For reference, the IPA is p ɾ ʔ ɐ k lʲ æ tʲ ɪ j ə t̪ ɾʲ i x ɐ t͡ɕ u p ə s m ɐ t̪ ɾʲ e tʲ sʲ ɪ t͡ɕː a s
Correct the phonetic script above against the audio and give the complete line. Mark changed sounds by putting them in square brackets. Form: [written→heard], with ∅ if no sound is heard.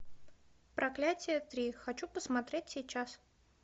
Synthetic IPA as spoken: p ɾ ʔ ɐ k lʲ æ tʲ ɪ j ə t̪ ɾʲ i x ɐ t͡ɕ u p ə s m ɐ t̪ ɾʲ e tʲ sʲ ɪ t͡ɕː a s